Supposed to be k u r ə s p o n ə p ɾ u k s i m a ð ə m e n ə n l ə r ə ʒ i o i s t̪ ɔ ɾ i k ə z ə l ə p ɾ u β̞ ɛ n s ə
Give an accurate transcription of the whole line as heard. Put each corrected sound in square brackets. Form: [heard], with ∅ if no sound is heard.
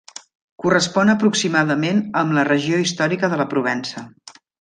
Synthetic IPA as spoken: k u r ə s p [ɔ] n ə p ɾ u k s i m a ð ə m e n ə [m] l ə r ə ʒ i o i s t̪ ɔ ɾ i k ə [ð] ə l ə p ɾ u β̞ ɛ n s ə